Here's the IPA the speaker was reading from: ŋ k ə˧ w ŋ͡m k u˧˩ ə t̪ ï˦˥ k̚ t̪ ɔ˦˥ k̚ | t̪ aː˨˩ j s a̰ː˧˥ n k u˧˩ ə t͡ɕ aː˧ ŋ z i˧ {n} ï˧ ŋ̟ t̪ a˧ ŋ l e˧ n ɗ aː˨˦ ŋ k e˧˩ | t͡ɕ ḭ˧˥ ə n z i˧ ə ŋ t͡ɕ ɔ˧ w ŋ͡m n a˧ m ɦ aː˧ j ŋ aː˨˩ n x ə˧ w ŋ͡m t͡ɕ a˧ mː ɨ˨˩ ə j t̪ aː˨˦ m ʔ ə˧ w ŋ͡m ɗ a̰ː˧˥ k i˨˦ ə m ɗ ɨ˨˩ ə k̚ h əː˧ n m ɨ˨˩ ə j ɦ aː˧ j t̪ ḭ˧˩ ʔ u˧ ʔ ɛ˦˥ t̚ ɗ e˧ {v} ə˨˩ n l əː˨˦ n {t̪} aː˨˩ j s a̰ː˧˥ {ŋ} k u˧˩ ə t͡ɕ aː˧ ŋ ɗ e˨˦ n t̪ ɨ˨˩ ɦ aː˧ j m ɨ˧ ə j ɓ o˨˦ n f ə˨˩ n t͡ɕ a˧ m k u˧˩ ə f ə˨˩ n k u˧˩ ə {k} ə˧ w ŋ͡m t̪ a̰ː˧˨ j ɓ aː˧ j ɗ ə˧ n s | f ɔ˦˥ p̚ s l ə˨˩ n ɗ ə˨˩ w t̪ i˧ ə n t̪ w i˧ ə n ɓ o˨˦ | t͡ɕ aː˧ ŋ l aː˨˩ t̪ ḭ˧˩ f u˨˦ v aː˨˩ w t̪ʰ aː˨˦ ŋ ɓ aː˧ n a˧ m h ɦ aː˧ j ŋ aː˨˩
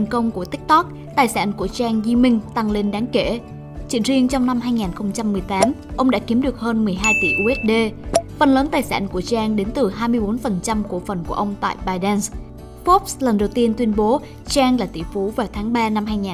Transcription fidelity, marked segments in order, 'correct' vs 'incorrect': incorrect: m, incorrect: f, correct, incorrect: n, incorrect: ʔ

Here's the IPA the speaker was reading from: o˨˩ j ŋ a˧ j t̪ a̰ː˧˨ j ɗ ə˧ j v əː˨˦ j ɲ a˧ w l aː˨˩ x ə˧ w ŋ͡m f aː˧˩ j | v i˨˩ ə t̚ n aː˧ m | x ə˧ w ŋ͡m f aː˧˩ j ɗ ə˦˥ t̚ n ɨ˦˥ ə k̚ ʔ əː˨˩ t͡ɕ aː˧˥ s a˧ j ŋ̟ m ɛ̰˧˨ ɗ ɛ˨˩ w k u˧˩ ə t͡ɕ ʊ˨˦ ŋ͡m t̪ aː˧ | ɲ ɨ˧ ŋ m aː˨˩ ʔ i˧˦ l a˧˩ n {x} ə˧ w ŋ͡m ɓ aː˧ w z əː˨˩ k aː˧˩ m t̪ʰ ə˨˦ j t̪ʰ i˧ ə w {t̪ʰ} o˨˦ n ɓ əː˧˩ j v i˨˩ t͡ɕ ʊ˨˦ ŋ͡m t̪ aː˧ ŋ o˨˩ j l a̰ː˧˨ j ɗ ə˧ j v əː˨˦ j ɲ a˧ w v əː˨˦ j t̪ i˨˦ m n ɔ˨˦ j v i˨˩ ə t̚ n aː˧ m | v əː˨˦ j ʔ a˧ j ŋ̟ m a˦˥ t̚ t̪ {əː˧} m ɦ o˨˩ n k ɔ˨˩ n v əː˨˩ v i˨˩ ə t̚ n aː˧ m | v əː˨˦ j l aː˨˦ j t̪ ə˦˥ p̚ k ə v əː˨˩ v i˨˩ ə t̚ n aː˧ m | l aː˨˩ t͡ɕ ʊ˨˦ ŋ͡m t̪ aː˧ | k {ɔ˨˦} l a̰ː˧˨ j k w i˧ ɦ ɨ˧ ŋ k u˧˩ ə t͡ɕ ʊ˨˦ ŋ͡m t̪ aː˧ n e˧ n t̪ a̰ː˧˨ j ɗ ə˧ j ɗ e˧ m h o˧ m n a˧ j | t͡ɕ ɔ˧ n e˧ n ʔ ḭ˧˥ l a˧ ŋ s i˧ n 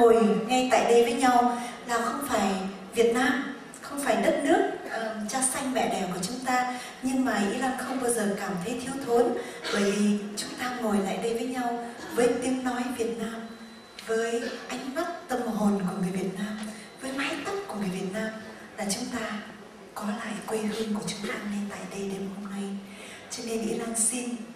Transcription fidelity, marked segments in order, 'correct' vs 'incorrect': correct, correct, incorrect: ə˧, correct

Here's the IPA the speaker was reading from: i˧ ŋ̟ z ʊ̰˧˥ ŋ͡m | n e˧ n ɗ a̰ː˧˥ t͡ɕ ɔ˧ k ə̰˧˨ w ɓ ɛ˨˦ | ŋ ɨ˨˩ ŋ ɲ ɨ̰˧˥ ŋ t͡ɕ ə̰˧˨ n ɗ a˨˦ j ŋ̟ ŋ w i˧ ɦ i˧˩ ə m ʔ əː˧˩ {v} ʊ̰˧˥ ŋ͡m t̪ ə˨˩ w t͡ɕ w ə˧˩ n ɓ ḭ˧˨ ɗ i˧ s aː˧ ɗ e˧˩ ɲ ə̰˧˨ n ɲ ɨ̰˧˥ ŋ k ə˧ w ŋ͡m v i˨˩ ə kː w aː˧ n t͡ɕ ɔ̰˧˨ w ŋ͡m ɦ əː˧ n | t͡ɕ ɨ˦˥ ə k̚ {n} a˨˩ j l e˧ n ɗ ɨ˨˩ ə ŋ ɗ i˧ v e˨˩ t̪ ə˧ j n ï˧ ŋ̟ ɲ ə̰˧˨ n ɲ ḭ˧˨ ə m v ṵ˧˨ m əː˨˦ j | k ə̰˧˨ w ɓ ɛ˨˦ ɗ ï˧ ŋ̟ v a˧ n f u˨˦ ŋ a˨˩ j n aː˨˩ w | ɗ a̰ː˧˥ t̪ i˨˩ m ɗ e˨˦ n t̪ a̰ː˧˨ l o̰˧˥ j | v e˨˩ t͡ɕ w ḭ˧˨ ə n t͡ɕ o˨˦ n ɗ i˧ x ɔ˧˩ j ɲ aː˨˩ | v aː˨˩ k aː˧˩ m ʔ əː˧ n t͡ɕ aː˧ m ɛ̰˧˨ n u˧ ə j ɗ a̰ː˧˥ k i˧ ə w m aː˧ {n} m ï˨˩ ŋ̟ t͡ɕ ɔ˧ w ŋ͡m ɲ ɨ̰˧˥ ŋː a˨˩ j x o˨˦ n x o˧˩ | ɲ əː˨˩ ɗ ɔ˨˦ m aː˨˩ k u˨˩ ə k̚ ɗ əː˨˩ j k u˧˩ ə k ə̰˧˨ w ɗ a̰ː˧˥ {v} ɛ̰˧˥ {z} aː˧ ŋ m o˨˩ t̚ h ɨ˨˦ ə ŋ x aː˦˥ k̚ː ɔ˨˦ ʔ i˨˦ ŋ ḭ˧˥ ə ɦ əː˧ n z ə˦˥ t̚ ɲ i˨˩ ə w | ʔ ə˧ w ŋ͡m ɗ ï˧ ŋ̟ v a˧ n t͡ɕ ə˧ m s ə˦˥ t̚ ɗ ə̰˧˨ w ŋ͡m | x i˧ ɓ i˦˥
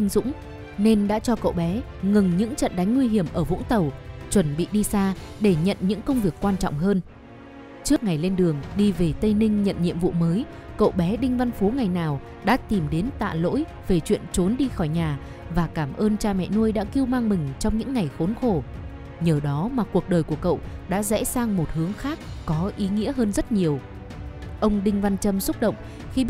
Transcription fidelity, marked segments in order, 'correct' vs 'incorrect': correct, incorrect: ŋ, incorrect: ŋ, incorrect: z, incorrect: s

